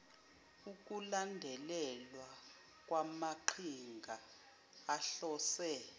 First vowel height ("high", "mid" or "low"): high